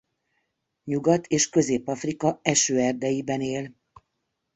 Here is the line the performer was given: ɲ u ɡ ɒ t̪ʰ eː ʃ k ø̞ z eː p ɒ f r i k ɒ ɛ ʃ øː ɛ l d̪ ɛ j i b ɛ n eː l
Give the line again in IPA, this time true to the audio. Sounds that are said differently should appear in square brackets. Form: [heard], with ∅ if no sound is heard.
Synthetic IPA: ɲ u ɡ ɒ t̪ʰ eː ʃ k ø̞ z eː p ɒ f r i k ɒ ɛ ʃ øː ɛ [r] d̪ ɛ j i b ɛ n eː l